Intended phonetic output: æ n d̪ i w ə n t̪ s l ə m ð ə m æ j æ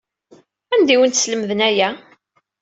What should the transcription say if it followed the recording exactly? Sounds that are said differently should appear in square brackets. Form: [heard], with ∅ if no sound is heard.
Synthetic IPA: æ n d̪ i w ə n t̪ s l ə m ð ə [n] æ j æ